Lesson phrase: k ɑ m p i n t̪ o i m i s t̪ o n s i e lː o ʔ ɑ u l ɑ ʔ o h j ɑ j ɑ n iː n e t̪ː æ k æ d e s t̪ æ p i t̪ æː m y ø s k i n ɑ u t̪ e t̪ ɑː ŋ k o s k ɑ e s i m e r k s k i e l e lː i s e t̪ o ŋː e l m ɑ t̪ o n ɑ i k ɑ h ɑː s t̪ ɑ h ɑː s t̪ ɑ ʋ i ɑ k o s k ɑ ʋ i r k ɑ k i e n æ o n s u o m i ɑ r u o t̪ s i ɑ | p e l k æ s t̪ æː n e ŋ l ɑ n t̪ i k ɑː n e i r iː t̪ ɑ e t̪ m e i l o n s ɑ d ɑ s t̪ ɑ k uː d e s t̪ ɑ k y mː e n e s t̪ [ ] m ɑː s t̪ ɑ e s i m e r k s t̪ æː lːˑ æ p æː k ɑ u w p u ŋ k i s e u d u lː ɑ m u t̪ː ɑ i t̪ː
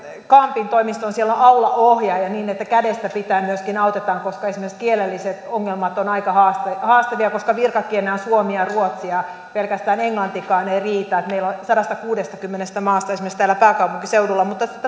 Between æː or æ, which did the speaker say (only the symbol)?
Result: æ